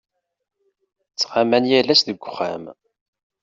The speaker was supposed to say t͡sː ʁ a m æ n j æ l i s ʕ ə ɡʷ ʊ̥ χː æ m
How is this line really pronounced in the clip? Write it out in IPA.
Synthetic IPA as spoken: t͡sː ʁ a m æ n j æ l æ s ð ə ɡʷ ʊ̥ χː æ m

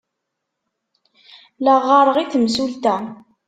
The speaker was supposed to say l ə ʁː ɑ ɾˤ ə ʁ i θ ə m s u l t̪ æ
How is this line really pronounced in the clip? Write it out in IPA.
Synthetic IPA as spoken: l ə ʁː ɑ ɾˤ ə ʁ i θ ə m s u l t̪ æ

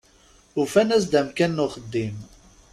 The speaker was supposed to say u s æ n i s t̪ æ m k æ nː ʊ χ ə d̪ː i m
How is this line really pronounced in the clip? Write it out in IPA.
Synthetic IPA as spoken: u f æ n æ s d̪ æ m k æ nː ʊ χ ə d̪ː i m

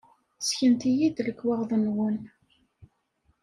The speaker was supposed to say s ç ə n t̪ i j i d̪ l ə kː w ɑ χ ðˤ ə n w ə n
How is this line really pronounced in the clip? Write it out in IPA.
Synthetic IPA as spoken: s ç ə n t̪ i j i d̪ l ə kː w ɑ ʁ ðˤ ə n w ə n

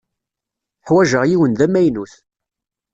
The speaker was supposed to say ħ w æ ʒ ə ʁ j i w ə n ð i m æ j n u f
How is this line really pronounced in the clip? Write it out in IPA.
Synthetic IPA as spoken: ħ w æ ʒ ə ʁ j i w ə n ð æ m æ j n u θ

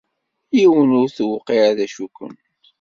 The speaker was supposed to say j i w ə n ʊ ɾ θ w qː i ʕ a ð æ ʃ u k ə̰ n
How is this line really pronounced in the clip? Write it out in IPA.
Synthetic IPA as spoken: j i w ə n ʊ ɾ θ w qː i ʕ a ð æ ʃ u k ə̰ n

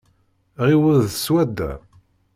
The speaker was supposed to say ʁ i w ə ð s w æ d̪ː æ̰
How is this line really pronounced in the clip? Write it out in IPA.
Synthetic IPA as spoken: ʁ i w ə ð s w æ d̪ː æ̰

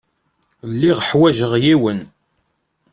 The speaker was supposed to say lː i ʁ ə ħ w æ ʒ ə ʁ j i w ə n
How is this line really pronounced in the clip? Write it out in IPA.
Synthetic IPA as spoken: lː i ʁ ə ħ w æ ʒ ə ʁ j i w ə n

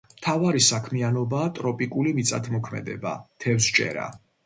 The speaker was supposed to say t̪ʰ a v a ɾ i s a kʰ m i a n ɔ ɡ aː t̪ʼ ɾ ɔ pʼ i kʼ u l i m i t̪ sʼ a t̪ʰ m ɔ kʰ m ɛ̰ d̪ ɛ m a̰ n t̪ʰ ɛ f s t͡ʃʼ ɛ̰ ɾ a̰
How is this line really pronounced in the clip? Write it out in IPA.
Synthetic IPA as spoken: t̪ʰ a v a ɾ i s a kʰ m i a n ɔ b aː t̪ʼ ɾ ɔ pʼ i kʼ u l i m i t̪ sʼ a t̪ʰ m ɔ kʰ m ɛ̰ d̪ ɛ b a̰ t̪ʰ ɛ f s t͡ʃʼ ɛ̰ ɾ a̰

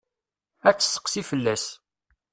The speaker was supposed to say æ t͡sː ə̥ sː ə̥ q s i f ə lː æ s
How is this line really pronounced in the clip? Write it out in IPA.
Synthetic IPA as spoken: æ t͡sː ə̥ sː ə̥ q s i f ə lː æ s

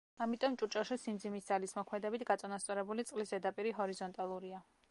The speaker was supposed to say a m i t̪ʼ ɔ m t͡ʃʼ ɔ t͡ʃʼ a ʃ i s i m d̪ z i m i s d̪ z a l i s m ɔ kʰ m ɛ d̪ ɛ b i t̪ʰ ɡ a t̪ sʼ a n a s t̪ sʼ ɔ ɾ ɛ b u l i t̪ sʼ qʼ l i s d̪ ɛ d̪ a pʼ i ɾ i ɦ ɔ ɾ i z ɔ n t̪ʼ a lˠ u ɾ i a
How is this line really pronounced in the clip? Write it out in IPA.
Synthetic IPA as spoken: a m i t̪ʼ ɔ m t͡ʃʼ u t͡ʃʼ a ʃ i s i m d̪ z i m i s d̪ z a l i s m ɔ kʰ m ɛ d̪ ɛ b i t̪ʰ ɡ a t̪ sʼ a n a s t̪ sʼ ɔ ɾ ɛ b u l i t̪ sʼ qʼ l i s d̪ ɛ d̪ a pʼ i ɾ i ɦ ɔ ɾ i z ɔ n t̪ʼ a lˠ u ɾ i a

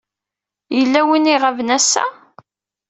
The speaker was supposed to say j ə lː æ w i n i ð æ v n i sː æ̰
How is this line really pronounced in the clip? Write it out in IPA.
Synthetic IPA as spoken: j ə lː æ w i n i ʁ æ v n æ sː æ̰

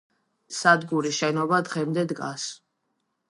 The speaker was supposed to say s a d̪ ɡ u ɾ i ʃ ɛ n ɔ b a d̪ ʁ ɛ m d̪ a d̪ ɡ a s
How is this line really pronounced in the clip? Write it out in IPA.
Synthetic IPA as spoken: s a d̪ ɡ u ɾ i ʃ ɛ n ɔ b a d̪ ʁ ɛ m d̪ ɛ d̪ ɡ a s

